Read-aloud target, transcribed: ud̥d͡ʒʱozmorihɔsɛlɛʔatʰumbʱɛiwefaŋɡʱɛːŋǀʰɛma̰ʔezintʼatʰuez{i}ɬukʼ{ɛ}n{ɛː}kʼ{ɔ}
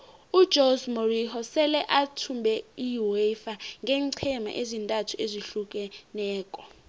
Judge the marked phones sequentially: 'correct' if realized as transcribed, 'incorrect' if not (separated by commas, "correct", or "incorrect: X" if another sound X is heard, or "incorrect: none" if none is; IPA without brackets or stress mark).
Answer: correct, correct, correct, correct